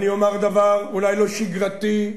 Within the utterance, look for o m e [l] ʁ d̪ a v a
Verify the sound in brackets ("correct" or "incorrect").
incorrect